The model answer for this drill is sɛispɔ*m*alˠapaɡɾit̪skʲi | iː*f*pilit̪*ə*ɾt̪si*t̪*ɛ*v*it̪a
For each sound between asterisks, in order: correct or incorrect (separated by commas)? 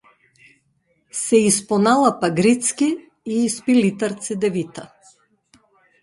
incorrect, incorrect, incorrect, incorrect, correct